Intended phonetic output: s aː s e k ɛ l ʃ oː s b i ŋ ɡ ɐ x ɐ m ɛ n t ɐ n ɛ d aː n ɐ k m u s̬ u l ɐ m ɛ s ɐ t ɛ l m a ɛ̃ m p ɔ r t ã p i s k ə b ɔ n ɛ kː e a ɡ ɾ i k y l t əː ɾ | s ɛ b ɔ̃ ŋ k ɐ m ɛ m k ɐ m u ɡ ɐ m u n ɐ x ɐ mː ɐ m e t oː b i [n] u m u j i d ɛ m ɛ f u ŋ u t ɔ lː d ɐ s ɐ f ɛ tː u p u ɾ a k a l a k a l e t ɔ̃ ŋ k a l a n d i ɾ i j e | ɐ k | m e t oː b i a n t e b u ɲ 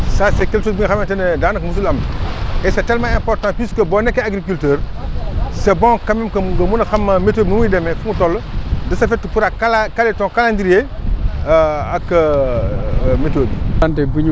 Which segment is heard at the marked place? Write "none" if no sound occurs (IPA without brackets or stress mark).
n